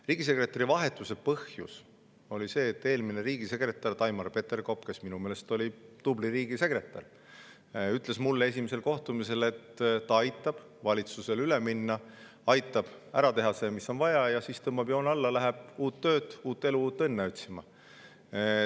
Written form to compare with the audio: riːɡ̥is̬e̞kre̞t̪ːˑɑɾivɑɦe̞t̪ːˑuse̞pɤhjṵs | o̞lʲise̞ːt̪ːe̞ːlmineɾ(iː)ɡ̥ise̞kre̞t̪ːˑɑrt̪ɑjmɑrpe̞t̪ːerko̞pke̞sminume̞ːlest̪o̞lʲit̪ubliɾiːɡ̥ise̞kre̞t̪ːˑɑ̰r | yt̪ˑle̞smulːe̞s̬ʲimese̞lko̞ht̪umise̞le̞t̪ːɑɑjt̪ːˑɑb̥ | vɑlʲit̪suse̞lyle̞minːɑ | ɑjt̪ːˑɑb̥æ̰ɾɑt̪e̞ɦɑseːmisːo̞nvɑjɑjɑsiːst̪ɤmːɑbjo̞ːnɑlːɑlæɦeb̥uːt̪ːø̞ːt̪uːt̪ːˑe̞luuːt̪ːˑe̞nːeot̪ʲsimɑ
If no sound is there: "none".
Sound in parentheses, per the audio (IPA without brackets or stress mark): iː